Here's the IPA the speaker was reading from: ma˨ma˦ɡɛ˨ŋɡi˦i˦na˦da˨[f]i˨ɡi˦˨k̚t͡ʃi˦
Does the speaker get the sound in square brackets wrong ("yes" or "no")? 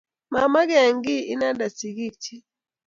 yes